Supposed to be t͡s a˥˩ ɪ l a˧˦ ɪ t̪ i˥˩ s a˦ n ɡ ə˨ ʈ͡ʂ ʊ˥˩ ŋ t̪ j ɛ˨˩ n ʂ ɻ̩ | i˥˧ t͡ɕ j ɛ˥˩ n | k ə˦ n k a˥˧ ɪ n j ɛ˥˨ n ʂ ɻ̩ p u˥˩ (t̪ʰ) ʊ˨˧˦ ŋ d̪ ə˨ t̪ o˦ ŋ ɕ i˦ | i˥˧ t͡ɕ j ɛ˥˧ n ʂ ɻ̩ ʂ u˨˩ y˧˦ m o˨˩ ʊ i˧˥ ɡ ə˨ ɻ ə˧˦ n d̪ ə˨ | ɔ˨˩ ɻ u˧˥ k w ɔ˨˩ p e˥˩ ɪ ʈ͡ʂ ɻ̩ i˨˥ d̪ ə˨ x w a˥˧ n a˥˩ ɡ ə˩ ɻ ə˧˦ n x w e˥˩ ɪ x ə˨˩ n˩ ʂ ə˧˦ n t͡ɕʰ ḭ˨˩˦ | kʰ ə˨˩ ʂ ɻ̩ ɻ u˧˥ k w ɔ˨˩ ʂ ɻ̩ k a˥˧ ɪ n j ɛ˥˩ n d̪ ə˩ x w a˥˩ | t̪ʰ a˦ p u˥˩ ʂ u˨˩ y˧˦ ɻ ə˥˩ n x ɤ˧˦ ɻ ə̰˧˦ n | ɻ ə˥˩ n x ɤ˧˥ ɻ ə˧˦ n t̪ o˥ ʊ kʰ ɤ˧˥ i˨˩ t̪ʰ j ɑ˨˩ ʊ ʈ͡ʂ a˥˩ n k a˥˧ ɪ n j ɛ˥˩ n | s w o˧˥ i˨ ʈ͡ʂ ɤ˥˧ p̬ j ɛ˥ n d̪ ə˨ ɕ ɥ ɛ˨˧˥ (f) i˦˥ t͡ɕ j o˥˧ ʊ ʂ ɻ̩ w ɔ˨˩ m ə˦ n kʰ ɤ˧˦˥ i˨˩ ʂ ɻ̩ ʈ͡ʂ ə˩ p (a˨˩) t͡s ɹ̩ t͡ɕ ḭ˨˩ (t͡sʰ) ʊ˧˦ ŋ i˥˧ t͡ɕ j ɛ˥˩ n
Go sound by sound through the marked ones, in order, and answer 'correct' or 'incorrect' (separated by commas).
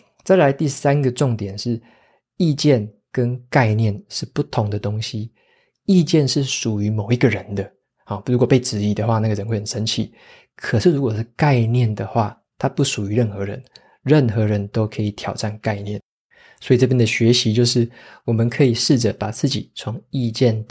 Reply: correct, incorrect, correct, correct